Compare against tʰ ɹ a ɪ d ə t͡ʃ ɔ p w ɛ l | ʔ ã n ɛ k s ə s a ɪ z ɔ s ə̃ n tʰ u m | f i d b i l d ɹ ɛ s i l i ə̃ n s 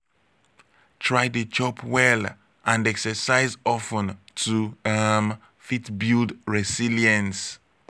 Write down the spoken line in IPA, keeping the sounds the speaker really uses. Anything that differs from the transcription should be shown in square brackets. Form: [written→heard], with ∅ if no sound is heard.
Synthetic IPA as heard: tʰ ɹ a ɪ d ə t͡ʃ ɔ p w ɛ l | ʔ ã n ɛ k s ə s a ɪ z ɔ [s→f] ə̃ n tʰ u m | f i [d→t] b i l d ɹ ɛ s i l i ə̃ n s

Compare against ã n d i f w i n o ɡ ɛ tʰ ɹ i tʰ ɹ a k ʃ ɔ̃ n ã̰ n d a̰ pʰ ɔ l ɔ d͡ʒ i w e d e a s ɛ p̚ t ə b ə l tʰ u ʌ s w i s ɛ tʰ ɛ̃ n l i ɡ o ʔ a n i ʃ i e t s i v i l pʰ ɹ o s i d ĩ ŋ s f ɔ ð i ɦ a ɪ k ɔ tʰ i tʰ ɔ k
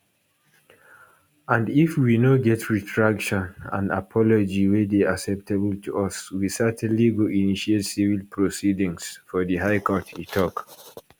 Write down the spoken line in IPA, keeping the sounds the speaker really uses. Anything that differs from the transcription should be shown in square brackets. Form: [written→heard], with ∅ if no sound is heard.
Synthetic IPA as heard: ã n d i f w i n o ɡ ɛ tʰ ɹ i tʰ ɹ a k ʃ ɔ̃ n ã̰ n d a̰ pʰ ɔ l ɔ d͡ʒ i w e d e a s ɛ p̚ t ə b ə l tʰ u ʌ s w i s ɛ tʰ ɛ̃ n l i ɡ o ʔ [a→i] n i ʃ i e t s i v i l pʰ ɹ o s i d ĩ ŋ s f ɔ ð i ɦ a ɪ k ɔ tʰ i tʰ ɔ k

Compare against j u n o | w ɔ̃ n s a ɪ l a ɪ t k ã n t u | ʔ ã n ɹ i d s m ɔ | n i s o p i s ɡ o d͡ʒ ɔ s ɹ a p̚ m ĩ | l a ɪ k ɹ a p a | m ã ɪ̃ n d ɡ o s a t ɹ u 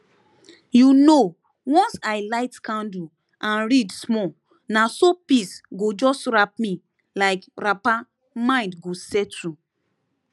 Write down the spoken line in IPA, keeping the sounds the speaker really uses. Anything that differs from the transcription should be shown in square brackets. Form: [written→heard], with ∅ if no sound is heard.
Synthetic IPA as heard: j u n o | w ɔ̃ n s a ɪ l a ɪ t k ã n [t→d] u | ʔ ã n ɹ i d s m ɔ | n [i→a] s o p i s ɡ o d͡ʒ ɔ s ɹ a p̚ m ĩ | l a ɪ k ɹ a p a | m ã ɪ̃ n d ɡ o s [a→ɛ] t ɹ u

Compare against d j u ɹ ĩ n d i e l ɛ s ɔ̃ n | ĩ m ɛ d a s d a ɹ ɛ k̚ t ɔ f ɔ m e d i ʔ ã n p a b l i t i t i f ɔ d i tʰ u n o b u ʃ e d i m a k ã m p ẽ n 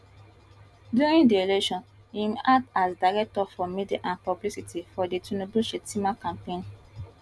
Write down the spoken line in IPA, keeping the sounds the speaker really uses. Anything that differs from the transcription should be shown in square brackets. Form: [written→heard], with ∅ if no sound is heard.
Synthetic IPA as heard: d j u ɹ ĩ n d i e l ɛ [s→ʃ] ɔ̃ n | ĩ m [ɛ→a] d a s d a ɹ ɛ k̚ t ɔ f ɔ m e d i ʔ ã n p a b l i [t→s] i t i f ɔ d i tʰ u n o b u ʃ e [d→t] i m a k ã m p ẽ n

